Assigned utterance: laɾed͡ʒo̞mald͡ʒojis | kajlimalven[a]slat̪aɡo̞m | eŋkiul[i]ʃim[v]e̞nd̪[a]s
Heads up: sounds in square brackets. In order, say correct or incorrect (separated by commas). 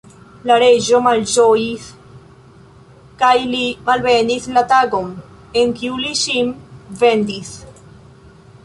incorrect, correct, correct, incorrect